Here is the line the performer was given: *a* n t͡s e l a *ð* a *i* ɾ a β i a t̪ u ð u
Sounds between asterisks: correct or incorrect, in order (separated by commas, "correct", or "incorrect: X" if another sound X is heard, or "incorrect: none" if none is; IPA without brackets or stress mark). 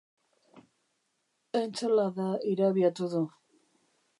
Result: incorrect: e, correct, correct